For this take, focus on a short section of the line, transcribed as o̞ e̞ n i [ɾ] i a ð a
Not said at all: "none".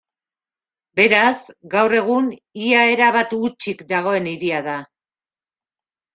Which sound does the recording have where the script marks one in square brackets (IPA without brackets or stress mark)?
ɾ